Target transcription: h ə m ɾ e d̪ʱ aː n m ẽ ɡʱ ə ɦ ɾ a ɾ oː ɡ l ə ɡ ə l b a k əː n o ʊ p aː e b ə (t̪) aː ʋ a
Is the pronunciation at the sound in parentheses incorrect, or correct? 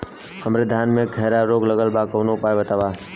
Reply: correct